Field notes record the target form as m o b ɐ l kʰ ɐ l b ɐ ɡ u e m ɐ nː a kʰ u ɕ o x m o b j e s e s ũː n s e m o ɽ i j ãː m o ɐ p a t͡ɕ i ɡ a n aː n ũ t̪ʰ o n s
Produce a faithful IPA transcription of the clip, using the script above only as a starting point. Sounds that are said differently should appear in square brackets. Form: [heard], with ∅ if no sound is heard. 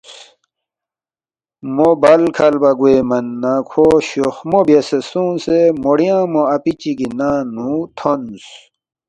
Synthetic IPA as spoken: m o b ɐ l kʰ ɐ l b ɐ ɡ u e m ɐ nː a kʰ [o] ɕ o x m o b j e s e s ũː n s e m o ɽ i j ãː m o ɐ p [i] t͡ɕ i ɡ [i] n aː n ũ t̪ʰ o n s